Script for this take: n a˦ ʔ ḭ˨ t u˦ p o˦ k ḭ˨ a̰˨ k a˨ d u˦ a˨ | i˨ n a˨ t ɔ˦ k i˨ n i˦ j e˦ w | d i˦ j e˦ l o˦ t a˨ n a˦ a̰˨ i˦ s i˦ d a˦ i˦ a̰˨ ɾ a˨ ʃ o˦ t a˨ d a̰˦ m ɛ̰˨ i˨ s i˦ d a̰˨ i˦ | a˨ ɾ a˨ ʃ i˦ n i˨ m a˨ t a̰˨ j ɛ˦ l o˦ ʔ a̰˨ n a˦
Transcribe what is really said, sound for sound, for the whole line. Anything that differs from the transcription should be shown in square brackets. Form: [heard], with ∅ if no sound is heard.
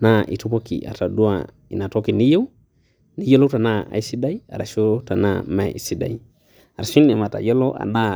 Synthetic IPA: n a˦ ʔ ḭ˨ t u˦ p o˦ k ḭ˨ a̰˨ [t] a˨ d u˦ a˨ | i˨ n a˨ t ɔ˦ k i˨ n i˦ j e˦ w | [n] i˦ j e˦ l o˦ t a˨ n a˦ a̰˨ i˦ s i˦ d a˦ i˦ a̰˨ ɾ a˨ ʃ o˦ t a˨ [n] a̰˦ m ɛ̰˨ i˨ s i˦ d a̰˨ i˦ | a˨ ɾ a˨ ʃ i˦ n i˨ m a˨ t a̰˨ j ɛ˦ l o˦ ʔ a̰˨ n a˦